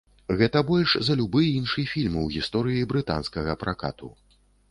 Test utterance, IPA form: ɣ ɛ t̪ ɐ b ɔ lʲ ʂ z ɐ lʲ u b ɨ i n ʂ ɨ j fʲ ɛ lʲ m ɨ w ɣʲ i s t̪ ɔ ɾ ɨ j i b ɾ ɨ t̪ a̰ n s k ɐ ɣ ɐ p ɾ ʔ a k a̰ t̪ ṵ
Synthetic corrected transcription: ɣ ɛ t̪ ɐ b ɔ lʲ ʂ z ɐ lʲ u b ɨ i n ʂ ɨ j fʲ i lʲ m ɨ w ɣʲ i s t̪ ɔ ɾ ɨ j i b ɾ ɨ t̪ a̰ n s k ɐ ɣ ɐ p ɾ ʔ a k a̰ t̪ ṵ